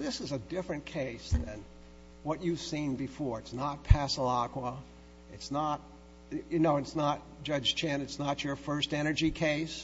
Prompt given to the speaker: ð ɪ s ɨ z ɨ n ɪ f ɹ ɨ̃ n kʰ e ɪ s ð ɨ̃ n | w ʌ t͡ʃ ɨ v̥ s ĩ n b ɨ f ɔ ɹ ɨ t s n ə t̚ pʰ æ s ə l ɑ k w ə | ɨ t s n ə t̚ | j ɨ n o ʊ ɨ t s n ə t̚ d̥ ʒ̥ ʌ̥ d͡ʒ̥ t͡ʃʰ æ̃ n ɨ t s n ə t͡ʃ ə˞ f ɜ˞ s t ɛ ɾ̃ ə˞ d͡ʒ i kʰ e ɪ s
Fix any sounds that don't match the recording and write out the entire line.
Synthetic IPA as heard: ð ɪ s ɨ z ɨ d ɪ f ɹ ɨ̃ n kʰ e ɪ s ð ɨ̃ n | w ʌ t͡ʃ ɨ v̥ s ĩ n b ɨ f ɔ ɹ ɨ t s n ə t̚ pʰ æ s ə l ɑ k w ə | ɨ t s n ə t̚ | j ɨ n o ʊ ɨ t s n ə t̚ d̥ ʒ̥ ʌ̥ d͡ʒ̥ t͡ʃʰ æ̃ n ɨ t s n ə t͡ʃ ə˞ f ɜ˞ s t ɛ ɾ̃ ə˞ d͡ʒ i kʰ e ɪ s